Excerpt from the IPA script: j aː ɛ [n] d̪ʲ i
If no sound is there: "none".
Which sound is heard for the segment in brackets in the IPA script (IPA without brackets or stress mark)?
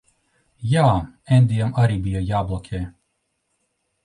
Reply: n